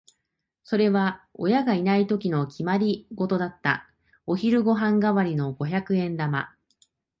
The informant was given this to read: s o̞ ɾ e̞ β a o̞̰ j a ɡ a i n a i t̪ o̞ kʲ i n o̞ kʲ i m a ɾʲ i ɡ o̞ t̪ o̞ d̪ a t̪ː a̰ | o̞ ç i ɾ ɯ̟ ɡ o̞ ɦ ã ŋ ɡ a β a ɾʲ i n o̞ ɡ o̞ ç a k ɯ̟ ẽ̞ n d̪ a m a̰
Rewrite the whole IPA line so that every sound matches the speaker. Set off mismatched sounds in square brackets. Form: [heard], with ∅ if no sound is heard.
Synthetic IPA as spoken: s o̞ ɾ e̞ β a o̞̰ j a ɡ a i n a i t̪ o̞ kʲ i n o̞ kʲ i m a ɾʲ i ɡ o̞ t̪ o̞ d̪ a t̪ː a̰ | o̞ ç i ɾ ɯ̟ ɡ o̞ ɦ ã ŋ ɡ a β a ɾʲ i n o̞ ɡ o̞ ç a k ɯ̟ ẽ̞ n d̪ a m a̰